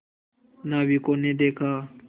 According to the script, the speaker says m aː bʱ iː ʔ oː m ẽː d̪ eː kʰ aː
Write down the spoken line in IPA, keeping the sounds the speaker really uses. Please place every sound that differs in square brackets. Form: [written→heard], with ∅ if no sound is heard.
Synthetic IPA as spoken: [m→n] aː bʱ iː [ʔ→k] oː [m→n] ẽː d̪ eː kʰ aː